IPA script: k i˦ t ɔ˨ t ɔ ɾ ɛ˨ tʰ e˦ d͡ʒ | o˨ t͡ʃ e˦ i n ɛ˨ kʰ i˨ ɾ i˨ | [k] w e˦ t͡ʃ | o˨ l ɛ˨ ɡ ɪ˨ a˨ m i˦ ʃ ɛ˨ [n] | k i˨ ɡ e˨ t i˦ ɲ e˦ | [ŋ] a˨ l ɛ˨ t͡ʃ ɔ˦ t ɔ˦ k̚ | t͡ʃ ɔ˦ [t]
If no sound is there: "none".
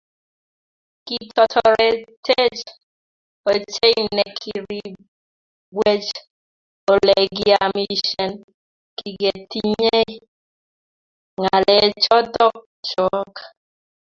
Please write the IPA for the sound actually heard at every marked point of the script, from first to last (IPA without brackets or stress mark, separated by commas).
ɡ, n, ŋ, k